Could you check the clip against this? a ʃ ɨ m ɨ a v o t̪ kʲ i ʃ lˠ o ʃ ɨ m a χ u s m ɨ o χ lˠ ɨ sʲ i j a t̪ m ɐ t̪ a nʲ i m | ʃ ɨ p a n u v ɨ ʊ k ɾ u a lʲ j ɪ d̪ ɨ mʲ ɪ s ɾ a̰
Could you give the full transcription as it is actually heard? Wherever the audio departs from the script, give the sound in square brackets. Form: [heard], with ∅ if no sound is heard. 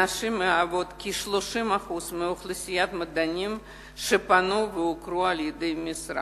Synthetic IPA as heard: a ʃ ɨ m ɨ a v o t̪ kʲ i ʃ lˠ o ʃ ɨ m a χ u s m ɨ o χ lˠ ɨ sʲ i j a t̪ m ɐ [d̪] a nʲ i m | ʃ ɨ p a n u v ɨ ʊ k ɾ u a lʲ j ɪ d̪ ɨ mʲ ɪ s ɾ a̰